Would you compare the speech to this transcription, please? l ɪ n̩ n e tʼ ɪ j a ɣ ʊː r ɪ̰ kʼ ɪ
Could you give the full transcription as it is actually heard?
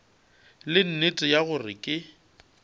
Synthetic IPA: l ɪ n̩ n e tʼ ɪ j a ɣ ʊ r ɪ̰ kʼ ɪ